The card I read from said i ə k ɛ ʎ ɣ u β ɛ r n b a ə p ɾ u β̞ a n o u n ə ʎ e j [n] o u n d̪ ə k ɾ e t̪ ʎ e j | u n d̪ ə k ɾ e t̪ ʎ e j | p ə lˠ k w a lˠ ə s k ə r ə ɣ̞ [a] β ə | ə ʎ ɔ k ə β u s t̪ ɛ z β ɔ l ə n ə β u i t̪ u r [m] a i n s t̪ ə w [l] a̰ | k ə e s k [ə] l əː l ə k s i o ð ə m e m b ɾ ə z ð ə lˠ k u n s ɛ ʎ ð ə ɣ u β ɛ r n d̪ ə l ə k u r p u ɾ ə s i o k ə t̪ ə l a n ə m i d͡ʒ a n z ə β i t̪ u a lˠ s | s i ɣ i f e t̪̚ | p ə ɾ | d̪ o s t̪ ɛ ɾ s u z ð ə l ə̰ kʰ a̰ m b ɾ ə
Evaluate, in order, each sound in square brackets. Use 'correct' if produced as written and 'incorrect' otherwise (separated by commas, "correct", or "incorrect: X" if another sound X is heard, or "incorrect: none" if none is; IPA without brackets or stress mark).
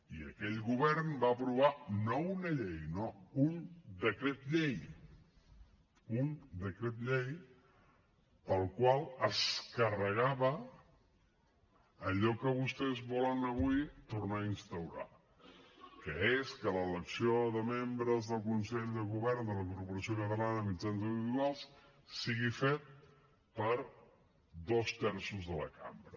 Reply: correct, correct, incorrect: n, incorrect: ɾ, correct